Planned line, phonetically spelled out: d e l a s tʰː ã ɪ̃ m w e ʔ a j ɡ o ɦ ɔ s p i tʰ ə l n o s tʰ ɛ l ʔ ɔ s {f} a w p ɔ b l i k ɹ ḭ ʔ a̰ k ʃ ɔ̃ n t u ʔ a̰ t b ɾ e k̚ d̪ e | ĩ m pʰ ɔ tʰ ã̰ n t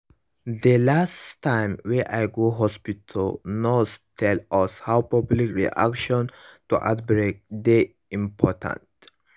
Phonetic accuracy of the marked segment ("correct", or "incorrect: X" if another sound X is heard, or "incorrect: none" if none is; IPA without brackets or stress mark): incorrect: h